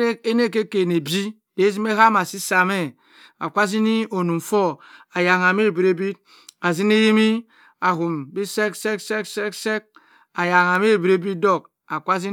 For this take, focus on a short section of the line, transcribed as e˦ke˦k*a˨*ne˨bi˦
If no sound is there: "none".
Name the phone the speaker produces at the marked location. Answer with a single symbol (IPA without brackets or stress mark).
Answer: e˨